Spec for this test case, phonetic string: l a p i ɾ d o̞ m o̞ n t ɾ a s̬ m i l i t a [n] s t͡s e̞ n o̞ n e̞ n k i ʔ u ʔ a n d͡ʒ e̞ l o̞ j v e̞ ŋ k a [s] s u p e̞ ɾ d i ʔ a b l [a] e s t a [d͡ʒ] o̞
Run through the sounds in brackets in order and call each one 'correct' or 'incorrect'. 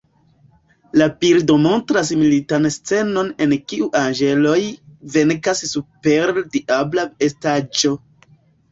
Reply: correct, correct, correct, correct

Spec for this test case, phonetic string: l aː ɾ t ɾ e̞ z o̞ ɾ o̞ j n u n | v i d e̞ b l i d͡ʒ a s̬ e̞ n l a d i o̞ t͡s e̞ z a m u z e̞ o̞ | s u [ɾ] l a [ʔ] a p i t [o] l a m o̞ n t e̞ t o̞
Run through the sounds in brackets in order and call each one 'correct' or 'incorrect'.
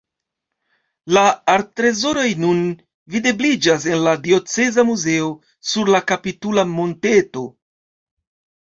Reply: correct, incorrect: k, incorrect: u

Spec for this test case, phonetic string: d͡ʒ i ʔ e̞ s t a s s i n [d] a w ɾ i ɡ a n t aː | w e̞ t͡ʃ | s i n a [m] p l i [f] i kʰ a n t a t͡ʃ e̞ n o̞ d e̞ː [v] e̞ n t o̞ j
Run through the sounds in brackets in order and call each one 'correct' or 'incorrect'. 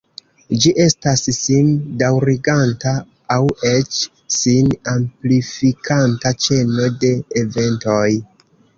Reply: correct, correct, correct, correct

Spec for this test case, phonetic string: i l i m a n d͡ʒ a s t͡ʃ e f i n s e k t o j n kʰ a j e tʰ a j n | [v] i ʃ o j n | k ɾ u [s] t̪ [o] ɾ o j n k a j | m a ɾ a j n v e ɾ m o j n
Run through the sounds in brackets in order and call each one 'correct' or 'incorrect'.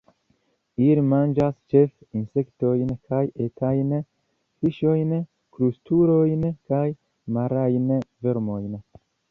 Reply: incorrect: f, correct, incorrect: u

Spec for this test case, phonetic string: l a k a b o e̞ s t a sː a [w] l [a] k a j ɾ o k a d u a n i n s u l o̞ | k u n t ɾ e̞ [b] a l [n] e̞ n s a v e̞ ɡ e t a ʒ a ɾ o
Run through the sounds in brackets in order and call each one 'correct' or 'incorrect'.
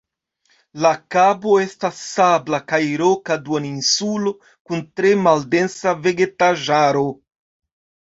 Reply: incorrect: b, correct, incorrect: m, incorrect: d

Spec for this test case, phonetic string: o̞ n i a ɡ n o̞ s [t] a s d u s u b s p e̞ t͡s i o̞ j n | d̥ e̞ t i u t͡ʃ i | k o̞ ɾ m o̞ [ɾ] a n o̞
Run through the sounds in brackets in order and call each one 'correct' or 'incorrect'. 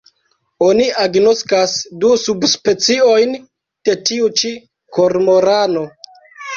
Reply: incorrect: k, correct

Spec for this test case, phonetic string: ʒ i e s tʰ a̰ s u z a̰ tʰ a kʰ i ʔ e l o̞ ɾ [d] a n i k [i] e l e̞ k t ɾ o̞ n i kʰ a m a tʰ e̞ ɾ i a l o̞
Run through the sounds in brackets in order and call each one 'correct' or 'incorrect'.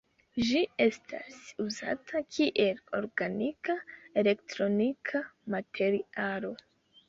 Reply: incorrect: ɡ, incorrect: a

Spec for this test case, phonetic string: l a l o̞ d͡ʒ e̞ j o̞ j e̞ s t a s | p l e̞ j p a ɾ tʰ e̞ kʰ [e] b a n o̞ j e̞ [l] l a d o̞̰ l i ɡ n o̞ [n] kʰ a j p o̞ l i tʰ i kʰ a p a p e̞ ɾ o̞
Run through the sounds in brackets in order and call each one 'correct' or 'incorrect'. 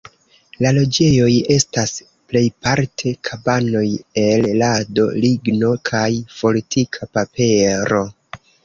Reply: incorrect: a, correct, incorrect: none

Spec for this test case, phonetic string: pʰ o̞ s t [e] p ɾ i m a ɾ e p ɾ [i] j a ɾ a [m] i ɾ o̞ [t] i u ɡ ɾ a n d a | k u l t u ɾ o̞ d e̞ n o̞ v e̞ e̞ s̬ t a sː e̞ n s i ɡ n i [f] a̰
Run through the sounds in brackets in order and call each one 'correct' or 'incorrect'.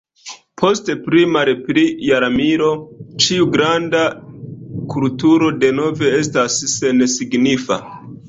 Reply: correct, correct, correct, incorrect: t͡ʃ, correct

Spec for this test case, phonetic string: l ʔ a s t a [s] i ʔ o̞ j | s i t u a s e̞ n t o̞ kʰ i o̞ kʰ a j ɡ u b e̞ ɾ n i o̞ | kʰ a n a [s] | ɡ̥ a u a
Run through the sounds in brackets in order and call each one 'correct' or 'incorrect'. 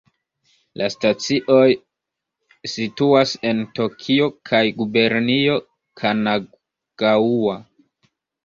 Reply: incorrect: t͡s, incorrect: none

